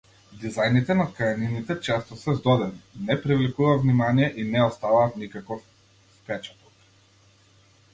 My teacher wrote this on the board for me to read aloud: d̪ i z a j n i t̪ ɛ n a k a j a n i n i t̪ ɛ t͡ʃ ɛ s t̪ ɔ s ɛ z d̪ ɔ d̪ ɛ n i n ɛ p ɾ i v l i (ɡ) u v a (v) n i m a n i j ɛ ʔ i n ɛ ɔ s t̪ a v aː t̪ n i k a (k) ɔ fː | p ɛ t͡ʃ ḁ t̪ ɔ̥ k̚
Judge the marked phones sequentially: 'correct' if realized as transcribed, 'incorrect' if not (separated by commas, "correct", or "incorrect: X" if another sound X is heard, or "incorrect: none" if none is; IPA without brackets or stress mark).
incorrect: k, correct, correct